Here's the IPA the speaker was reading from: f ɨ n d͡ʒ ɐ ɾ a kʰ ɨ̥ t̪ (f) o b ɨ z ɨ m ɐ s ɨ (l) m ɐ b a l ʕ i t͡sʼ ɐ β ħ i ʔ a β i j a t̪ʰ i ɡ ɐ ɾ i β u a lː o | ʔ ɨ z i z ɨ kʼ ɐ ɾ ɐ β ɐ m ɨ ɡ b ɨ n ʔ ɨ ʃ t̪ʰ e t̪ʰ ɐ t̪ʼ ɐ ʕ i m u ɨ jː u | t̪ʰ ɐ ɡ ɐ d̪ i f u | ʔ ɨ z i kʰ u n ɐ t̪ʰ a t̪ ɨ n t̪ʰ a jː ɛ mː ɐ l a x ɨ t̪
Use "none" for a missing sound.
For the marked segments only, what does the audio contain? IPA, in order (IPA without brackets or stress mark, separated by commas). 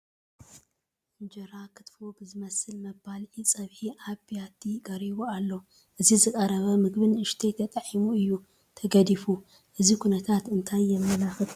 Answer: f, l